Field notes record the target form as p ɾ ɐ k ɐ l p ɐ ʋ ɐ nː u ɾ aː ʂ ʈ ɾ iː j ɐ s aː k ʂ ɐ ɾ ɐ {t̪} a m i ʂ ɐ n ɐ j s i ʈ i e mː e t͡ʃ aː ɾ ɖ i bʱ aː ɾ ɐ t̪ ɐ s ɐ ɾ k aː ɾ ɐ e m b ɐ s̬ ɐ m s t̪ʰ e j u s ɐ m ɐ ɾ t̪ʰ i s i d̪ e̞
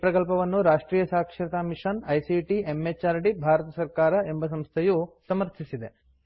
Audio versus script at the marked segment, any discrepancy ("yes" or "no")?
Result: no